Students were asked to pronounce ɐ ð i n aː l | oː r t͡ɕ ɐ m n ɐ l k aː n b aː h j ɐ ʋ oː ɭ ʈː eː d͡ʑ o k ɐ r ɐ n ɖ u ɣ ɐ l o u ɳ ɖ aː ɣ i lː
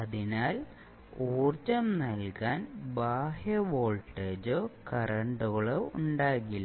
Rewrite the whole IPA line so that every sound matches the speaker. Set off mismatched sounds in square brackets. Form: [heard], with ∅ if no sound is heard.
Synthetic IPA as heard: ɐ ð i n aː l | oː r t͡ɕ ɐ m n ɐ l k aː n b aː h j ɐ ʋ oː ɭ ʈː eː d͡ʑ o k ɐ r ɐ [ɳ] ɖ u ɣ ɐ [ɭ] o u ɳ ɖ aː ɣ i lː